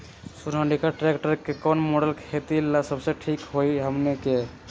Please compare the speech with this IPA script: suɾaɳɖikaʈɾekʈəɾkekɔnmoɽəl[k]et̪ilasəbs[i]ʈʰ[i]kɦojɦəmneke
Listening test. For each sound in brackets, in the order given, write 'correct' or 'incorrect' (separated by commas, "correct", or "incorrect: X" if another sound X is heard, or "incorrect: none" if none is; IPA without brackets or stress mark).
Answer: incorrect: kʰ, incorrect: e, correct